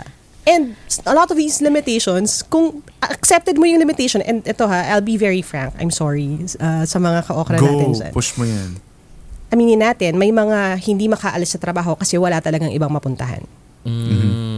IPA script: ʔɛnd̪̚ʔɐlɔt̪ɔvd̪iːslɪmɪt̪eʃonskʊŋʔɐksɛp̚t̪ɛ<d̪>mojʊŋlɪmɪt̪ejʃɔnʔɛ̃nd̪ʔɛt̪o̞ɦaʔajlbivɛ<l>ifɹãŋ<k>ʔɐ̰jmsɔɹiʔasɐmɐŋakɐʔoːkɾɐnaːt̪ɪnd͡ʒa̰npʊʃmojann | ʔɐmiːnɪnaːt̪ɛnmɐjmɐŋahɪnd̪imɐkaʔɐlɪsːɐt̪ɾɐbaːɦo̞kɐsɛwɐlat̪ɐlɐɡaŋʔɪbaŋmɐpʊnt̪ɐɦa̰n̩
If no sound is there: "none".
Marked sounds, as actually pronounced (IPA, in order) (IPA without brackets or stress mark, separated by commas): d̪, ɹ, k